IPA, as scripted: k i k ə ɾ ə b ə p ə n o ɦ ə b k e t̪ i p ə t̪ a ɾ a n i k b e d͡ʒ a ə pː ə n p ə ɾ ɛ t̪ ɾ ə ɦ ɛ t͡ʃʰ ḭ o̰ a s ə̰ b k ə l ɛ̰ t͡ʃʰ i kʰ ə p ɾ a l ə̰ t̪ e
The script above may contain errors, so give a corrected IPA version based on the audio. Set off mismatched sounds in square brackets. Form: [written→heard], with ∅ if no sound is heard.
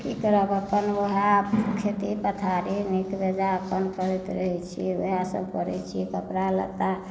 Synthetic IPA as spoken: k i k ə ɾ ə b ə p ə n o ɦ [ə→a] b [k→kʰ] e t̪ i p ə [t̪→t̪ʰ] a ɾ [a→i] n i k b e d͡ʒ a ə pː ə n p ə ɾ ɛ t̪ ɾ ə ɦ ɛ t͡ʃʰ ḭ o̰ a s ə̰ b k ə [l→ɾ] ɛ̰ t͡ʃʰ i [kʰ→k] ə p ɾ a l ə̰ t̪ [e→a]